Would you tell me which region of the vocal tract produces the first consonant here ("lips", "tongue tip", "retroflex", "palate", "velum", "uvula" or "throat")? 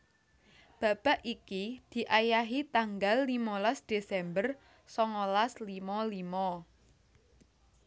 lips